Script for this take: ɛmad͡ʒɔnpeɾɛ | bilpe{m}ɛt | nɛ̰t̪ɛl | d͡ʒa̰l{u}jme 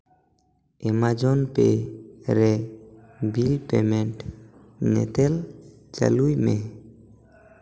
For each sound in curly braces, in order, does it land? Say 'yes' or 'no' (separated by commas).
yes, yes